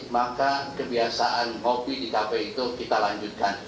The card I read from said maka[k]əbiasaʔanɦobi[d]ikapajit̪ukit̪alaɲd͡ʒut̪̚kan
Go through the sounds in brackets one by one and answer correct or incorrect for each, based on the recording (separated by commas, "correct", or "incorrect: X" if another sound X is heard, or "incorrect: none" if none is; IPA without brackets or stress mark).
correct, correct